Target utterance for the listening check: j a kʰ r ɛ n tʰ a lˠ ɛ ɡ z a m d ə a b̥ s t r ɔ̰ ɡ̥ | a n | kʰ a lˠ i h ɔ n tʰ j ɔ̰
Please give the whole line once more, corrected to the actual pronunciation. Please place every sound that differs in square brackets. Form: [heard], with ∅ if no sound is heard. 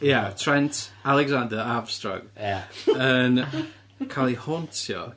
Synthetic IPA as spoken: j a [tʰ] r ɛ n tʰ a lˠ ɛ ɡ z a [n] d ə a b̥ s t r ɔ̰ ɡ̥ | [ə] n | kʰ a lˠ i h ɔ n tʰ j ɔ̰